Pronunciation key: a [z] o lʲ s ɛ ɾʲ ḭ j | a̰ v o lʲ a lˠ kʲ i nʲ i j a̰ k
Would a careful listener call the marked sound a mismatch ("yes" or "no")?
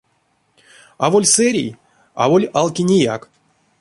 yes